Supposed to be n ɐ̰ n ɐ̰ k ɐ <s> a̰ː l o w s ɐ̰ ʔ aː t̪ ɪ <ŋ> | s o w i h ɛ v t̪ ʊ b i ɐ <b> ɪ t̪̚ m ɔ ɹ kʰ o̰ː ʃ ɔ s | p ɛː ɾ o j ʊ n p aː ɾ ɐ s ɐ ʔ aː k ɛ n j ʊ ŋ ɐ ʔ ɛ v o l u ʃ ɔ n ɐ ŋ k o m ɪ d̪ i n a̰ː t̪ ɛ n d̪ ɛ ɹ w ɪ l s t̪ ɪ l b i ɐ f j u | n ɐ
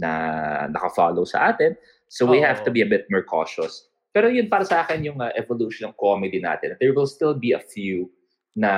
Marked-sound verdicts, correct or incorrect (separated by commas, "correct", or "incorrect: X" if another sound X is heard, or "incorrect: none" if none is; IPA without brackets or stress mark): incorrect: f, incorrect: n, correct